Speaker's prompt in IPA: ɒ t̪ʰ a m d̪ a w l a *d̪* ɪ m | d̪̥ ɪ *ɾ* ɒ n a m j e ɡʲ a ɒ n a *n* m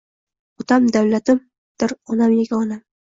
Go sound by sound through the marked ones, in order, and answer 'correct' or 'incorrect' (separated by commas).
incorrect, correct, incorrect